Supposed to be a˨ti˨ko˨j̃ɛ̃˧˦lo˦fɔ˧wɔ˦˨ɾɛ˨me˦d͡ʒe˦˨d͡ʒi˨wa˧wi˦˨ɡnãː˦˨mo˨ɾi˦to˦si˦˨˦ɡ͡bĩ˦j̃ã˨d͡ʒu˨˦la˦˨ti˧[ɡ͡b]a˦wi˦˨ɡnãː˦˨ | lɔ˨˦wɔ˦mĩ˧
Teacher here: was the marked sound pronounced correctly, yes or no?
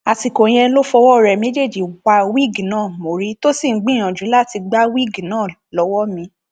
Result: yes